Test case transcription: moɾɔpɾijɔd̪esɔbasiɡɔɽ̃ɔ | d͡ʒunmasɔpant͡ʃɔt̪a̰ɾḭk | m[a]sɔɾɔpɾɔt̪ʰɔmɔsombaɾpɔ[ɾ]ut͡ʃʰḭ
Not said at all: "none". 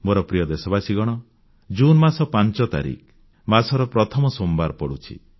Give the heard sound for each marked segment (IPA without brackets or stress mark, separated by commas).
a, ɽ